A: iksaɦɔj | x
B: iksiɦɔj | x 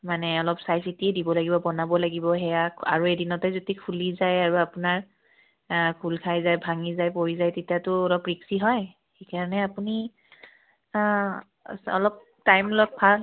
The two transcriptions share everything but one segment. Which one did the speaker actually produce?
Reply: B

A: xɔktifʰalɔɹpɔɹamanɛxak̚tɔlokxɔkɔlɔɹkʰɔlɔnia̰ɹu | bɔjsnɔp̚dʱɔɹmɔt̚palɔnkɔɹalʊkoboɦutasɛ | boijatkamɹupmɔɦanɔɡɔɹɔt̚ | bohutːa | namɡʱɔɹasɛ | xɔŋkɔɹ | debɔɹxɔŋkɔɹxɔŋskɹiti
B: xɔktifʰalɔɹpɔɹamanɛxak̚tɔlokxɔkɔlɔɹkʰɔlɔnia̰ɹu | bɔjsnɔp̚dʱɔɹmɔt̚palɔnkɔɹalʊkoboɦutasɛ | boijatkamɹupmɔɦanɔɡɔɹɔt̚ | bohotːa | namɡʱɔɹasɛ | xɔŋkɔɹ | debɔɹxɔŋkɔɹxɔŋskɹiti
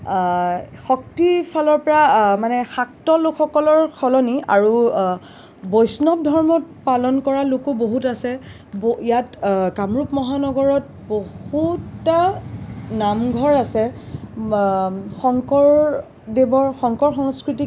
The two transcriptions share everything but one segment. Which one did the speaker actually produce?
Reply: A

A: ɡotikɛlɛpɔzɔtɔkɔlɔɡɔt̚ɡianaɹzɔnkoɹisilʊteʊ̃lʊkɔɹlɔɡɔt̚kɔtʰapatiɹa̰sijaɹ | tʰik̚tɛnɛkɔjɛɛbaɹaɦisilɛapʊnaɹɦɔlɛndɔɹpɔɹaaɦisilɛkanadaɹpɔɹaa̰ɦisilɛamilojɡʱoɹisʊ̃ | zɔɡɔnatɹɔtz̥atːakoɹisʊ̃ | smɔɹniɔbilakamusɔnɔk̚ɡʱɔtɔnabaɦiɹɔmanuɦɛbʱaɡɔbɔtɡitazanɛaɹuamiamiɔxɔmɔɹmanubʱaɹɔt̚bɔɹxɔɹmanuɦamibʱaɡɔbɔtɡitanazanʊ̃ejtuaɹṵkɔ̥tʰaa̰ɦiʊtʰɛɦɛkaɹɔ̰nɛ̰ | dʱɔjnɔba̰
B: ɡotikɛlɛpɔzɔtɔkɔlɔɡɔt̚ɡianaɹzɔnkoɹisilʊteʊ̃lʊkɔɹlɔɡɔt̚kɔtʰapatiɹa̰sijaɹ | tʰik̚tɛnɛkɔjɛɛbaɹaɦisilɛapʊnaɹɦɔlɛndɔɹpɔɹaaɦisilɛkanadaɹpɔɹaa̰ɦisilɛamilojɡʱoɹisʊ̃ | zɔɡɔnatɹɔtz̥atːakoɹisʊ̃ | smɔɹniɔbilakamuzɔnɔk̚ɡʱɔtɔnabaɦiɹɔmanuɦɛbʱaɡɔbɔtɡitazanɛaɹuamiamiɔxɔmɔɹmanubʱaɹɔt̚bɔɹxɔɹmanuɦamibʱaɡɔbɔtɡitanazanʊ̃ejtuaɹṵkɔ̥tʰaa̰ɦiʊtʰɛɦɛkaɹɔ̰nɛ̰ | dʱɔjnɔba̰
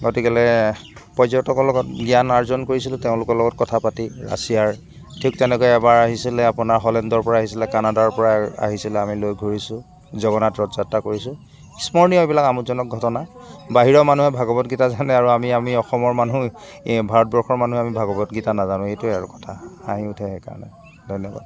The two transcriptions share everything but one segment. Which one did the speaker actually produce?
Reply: B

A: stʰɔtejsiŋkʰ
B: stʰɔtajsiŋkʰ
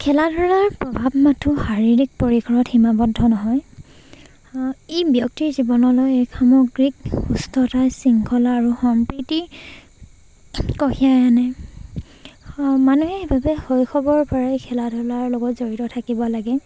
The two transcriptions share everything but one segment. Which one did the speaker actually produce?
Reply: B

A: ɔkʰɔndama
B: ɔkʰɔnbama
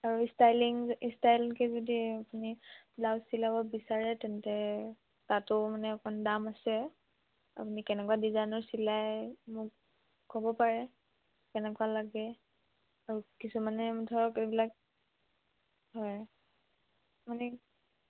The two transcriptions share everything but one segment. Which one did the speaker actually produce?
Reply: A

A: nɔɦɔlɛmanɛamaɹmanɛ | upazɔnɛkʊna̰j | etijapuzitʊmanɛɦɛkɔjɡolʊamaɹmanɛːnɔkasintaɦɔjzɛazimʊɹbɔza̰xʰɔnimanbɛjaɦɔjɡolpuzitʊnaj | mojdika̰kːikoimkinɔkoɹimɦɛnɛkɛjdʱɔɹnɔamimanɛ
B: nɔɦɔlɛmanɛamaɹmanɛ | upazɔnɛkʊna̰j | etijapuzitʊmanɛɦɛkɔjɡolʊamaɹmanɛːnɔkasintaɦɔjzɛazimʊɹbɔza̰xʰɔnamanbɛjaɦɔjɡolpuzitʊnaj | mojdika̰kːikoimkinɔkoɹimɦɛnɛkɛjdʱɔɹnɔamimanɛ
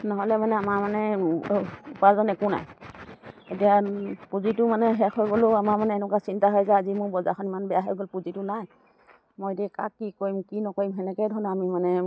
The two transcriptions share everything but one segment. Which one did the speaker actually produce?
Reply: A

